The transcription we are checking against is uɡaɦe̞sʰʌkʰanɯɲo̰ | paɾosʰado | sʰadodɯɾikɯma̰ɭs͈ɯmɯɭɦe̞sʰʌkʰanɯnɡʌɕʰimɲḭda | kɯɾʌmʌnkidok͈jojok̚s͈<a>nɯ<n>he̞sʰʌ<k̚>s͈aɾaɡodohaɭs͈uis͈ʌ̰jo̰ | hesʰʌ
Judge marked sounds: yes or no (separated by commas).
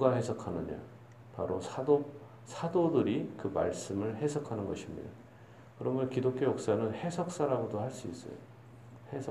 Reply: yes, yes, yes